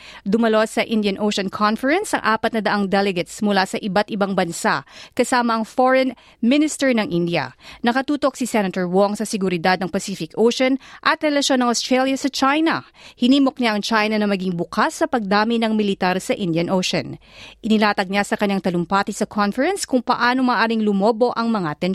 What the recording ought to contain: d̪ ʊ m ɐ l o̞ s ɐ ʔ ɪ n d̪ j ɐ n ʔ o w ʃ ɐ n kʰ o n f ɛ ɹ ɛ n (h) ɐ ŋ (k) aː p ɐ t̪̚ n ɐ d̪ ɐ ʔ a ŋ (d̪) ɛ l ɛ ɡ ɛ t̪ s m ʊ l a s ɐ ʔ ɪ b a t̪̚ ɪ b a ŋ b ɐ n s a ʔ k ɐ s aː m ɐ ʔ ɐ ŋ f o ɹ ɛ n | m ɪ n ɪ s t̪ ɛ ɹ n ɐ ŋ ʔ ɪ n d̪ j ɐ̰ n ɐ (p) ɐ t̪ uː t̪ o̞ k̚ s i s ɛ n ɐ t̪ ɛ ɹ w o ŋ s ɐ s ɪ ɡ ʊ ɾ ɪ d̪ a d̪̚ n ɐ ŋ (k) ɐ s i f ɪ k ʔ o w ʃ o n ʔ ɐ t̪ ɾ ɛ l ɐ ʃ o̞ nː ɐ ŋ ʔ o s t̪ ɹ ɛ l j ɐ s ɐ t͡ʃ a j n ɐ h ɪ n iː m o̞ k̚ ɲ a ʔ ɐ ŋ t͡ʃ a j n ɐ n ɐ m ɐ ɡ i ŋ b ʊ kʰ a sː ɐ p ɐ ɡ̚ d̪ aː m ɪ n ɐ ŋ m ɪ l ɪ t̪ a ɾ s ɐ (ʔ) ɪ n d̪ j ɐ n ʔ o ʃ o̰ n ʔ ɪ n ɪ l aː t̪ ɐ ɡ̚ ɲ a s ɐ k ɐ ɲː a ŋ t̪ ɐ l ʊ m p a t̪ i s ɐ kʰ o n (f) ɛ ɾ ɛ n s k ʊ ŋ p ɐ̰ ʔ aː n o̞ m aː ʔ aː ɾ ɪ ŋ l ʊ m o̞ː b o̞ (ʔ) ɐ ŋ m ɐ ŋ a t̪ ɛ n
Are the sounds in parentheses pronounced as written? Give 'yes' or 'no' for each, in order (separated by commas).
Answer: no, no, yes, no, no, yes, yes, yes